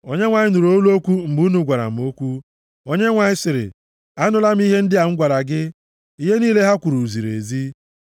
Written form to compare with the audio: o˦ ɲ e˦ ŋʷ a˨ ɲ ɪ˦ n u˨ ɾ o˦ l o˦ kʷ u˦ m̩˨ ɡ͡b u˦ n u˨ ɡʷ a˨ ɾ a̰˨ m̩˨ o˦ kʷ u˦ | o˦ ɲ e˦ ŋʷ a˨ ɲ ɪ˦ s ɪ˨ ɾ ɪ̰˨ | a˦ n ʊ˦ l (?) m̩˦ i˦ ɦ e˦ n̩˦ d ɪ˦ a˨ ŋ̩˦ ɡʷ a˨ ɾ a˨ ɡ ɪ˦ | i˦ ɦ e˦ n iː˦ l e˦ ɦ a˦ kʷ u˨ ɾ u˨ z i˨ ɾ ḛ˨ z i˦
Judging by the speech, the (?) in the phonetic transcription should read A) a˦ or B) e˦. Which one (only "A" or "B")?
A